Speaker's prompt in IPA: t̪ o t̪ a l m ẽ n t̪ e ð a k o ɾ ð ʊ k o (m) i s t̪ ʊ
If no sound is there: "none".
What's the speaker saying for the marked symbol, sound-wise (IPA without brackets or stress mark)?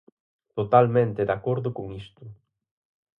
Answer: ŋ